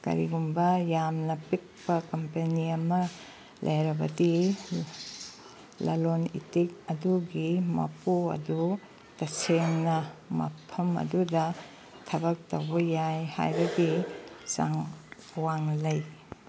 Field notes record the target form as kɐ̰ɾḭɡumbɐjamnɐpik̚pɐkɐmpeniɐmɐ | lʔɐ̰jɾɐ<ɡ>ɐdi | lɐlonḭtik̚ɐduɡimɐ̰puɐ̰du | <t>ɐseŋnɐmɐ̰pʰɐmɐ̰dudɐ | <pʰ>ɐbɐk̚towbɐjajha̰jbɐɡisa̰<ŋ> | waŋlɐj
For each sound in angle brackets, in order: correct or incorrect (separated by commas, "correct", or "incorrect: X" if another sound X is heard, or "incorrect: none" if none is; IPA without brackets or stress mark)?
incorrect: b, correct, incorrect: tʰ, correct